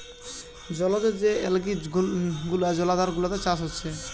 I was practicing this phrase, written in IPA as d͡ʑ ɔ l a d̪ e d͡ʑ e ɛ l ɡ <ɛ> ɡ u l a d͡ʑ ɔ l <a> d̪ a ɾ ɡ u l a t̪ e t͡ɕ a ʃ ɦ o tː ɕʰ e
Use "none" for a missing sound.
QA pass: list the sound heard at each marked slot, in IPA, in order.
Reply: i, a

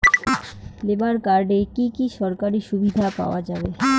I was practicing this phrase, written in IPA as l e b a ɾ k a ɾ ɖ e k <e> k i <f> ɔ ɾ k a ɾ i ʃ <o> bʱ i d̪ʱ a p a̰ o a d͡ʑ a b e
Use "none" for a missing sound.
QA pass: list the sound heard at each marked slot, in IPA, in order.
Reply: i, ʃ, u

